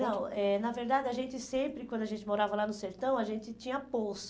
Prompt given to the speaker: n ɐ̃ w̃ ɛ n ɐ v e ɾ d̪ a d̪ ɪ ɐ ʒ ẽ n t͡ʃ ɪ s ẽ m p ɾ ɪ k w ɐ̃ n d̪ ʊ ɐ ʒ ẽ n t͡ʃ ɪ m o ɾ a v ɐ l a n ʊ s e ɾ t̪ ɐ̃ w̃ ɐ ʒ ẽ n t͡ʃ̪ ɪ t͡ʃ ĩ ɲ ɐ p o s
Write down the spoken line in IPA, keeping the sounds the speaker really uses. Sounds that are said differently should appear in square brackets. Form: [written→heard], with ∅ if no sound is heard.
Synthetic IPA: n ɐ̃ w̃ ɛ n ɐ v e ɾ d̪ a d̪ ɪ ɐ ʒ ẽ n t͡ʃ ɪ s ẽ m p ɾ ɪ k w ɐ̃ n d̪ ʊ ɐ ʒ ẽ n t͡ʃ ɪ m o ɾ a v ɐ l a n ʊ s e ɾ t̪ ɐ̃ w̃ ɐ ʒ ẽ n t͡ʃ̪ ɪ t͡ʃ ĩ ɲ ɐ p o s